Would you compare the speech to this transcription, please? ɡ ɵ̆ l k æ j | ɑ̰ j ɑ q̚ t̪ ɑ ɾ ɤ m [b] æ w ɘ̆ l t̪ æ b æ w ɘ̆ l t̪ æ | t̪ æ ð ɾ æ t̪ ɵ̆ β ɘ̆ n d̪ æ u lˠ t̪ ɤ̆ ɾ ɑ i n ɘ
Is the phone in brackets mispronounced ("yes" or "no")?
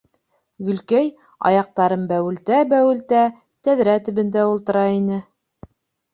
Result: no